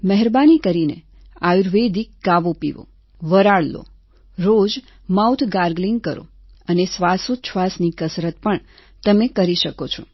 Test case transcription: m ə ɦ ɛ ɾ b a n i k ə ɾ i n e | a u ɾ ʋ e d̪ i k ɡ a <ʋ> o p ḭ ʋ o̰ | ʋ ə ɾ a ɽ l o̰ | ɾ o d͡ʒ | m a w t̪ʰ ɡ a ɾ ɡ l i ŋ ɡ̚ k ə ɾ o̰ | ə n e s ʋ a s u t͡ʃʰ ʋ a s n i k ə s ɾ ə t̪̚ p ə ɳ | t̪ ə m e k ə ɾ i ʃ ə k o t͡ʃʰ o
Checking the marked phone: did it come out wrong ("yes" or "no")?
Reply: no